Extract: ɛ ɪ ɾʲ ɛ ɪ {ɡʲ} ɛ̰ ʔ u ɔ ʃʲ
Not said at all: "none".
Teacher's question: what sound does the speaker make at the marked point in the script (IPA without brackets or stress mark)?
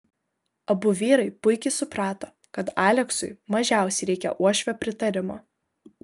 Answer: kʲ